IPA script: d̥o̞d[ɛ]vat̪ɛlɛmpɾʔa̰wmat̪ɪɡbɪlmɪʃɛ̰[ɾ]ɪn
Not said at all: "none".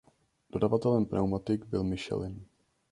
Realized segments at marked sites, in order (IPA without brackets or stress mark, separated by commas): a, l